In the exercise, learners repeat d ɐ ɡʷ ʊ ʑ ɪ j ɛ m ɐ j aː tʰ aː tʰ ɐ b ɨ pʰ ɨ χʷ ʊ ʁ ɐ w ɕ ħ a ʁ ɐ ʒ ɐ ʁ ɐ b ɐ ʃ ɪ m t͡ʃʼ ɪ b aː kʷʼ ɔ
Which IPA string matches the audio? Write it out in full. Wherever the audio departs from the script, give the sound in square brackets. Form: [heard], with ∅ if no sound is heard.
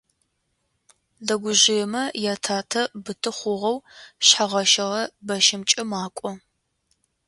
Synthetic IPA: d ɐ ɡʷ ʊ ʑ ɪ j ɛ m ɐ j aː tʰ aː tʰ ɐ b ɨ [tʰ] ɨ χʷ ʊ ʁ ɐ w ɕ ħ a ʁ ɐ [ʃ] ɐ ʁ ɐ b ɐ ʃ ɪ m t͡ʃʼ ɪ [m] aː kʷʼ ɔ